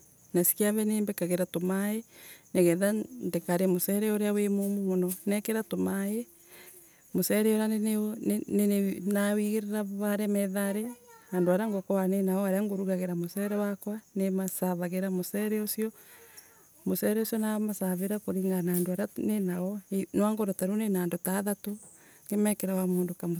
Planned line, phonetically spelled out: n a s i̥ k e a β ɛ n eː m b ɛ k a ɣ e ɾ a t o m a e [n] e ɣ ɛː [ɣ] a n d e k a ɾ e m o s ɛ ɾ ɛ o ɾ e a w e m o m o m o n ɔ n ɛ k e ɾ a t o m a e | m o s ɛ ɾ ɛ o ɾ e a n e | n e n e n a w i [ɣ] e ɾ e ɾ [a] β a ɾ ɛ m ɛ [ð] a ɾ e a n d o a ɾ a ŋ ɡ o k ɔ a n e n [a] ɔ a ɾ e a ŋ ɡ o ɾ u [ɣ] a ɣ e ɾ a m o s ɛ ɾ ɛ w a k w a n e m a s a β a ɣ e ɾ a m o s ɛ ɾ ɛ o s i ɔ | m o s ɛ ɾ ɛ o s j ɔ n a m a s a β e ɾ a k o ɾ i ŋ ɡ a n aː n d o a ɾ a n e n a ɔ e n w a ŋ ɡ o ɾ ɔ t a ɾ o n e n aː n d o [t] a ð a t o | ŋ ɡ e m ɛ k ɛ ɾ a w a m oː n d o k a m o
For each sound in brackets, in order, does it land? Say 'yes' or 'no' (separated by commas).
yes, no, yes, yes, yes, yes, yes, yes